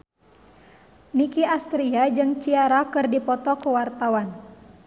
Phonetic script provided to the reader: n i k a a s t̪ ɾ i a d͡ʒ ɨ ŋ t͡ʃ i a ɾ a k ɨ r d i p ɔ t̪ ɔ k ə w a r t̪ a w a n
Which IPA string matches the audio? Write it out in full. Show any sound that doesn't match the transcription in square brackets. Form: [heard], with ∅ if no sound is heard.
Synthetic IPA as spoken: n i k [i] a s t̪ ɾ i a d͡ʒ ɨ ŋ t͡ʃ i a ɾ a k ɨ r d i p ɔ t̪ ɔ k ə w a r t̪ a w a n